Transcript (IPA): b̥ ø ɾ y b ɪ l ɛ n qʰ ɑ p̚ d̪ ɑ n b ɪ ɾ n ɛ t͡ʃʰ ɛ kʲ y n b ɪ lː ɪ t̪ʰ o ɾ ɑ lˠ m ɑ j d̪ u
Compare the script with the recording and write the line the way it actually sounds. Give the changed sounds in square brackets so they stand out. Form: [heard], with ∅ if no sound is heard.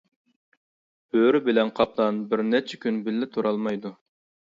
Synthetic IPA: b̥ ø ɾ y b ɪ l ɛ n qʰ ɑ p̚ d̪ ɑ n b ɪ ɾ n ɛ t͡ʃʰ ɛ kʲ y n b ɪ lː ɪ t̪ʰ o ɾ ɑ lˠ m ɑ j d̪ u